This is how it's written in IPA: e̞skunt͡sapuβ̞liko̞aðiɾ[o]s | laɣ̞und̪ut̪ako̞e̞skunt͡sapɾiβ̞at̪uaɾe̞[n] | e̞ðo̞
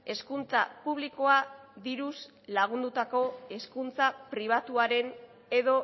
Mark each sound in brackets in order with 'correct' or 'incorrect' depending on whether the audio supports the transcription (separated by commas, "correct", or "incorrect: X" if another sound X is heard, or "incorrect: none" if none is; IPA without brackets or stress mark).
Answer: incorrect: u, correct